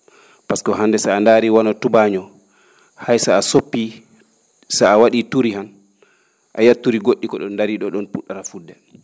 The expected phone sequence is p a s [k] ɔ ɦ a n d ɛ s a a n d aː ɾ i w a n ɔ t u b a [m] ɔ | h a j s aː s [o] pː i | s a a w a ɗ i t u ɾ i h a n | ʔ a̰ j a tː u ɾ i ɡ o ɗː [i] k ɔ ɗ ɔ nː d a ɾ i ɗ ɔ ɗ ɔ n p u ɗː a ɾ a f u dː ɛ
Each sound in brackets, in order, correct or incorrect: correct, incorrect: ɲ, correct, correct

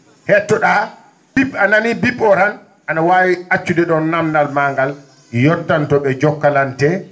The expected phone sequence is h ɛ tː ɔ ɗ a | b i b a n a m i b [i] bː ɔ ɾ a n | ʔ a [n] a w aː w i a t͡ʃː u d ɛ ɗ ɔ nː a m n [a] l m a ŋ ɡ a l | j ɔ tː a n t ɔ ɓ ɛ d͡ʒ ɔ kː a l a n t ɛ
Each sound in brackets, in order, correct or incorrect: correct, correct, correct

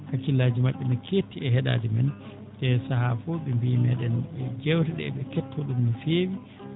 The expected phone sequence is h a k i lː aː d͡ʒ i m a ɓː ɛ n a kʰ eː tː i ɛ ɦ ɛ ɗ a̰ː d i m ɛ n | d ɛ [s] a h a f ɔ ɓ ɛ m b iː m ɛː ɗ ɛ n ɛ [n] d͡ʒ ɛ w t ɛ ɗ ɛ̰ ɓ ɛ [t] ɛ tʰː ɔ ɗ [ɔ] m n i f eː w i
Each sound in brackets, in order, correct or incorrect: correct, incorrect: none, incorrect: k, incorrect: u

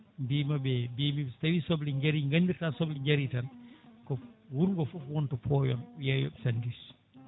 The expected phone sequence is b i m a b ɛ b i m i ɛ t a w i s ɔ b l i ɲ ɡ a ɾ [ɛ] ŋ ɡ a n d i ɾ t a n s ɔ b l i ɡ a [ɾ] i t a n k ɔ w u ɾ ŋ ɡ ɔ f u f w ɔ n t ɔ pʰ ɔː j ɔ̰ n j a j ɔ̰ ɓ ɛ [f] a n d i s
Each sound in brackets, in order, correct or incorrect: incorrect: i, correct, incorrect: s

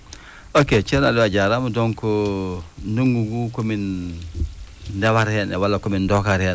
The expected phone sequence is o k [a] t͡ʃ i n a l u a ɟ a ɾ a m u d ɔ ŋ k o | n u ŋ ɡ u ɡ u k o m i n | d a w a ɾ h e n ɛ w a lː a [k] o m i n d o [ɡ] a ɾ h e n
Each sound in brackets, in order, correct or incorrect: incorrect: e, correct, incorrect: k

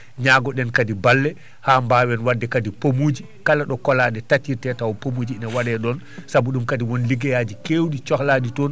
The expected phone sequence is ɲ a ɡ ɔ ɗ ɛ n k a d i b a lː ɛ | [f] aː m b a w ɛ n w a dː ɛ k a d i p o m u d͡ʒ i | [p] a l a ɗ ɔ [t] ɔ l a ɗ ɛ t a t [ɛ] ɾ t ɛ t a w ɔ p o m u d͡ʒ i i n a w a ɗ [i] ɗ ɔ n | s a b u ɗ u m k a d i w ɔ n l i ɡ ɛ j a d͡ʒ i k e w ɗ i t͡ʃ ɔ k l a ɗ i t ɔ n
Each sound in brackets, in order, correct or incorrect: incorrect: h, incorrect: k, incorrect: k, incorrect: i, incorrect: ɛ

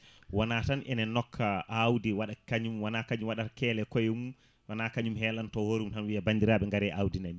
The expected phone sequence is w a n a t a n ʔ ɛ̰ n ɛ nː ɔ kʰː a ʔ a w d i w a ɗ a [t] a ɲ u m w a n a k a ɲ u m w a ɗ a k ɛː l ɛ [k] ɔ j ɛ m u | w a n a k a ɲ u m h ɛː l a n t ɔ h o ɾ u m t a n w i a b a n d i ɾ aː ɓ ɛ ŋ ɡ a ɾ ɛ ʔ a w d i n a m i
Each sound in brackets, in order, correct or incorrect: incorrect: k, correct

